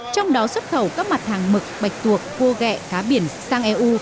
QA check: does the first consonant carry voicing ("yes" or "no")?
no